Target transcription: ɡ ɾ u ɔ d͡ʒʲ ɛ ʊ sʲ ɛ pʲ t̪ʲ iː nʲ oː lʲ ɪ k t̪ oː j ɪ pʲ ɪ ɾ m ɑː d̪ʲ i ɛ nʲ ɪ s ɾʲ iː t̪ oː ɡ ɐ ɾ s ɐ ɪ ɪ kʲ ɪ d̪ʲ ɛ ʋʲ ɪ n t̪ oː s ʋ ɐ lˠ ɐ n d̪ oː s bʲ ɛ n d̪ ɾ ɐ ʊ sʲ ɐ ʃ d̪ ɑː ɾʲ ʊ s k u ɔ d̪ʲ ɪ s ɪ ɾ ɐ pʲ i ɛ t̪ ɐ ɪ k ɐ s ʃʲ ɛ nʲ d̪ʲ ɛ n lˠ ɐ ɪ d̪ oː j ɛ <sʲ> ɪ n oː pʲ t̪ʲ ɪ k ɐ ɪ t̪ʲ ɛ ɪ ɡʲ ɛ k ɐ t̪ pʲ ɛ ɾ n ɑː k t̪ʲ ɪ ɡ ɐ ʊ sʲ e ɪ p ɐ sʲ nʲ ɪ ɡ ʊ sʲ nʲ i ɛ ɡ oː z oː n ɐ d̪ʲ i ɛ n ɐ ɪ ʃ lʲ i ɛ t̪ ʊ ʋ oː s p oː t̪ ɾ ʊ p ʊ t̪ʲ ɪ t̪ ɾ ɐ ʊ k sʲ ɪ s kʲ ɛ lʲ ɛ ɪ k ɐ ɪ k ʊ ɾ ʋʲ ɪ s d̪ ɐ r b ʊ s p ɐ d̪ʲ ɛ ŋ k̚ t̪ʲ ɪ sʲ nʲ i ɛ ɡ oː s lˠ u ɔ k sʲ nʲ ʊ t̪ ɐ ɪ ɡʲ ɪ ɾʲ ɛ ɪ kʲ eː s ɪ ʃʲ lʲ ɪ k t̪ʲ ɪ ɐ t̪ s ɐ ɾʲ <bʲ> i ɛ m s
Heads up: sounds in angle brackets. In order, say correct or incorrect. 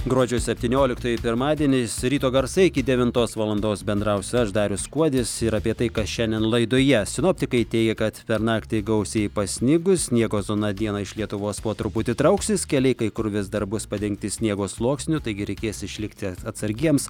correct, incorrect: ɡʲ

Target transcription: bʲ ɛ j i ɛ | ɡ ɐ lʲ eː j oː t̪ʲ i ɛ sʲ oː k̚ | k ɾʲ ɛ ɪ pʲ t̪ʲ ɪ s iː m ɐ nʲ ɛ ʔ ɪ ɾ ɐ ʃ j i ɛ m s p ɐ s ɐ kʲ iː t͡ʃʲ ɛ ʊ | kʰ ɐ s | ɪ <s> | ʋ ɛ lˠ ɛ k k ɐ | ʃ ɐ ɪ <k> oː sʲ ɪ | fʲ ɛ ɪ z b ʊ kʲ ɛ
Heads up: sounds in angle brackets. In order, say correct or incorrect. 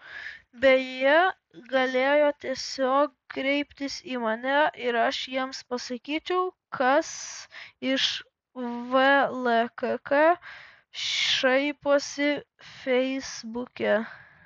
incorrect: ʃ, incorrect: p

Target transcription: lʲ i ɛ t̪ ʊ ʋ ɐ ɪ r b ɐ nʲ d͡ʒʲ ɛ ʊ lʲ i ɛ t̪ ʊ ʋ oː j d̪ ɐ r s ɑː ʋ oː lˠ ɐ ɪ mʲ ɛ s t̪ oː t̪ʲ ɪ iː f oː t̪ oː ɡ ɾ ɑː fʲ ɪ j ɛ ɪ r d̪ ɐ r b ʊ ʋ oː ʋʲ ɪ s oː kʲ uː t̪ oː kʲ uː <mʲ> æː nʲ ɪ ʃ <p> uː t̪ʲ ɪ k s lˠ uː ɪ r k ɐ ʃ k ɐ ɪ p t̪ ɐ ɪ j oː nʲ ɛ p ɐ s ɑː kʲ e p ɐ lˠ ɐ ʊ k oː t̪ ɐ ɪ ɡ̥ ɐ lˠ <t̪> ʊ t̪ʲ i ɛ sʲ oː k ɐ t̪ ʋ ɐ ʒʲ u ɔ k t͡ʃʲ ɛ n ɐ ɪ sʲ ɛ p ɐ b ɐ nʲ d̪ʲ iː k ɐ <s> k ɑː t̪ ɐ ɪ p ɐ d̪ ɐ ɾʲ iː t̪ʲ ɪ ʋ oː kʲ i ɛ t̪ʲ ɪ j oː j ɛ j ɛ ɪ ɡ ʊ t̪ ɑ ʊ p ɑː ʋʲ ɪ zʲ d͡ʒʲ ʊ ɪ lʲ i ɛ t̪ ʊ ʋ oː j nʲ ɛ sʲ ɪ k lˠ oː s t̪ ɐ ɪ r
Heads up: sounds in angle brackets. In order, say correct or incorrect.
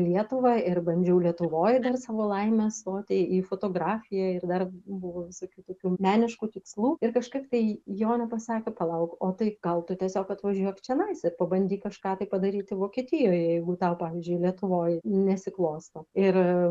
correct, incorrect: k, correct, incorrect: ʃ

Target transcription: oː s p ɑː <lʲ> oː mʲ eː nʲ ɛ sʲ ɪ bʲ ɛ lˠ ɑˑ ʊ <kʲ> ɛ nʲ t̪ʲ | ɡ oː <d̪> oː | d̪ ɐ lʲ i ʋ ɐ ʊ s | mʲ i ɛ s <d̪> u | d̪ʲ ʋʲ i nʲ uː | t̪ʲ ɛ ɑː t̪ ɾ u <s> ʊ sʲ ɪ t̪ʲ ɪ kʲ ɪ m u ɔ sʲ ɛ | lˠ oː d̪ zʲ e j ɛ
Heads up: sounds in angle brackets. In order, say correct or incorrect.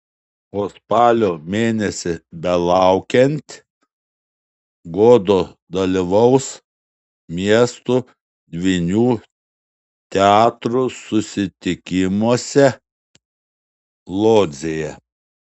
correct, correct, correct, incorrect: t̪, correct

